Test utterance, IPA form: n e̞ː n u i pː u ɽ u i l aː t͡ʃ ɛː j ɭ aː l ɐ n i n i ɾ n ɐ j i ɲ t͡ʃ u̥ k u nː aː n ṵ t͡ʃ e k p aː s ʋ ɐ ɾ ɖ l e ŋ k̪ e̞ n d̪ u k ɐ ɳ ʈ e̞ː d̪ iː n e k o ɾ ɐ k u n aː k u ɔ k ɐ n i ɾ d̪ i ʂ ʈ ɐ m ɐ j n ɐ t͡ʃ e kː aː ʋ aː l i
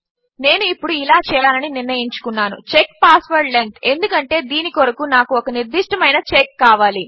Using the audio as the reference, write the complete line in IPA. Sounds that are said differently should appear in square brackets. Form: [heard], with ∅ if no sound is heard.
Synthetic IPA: n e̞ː n u i pː u ɽ u i l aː t͡ʃ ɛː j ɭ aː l ɐ n i n i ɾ n ɐ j i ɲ t͡ʃ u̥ k u nː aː n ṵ t͡ʃ e k p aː s ʋ ɐ ɾ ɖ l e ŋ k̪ e̞ n d̪ u k ɐ ɳ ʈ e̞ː d̪ iː n [i] k o ɾ ɐ k u n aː k u ɔ k ɐ n i ɾ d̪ i ʂ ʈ ɐ m ɐ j n ɐ t͡ʃ e kː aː ʋ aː l i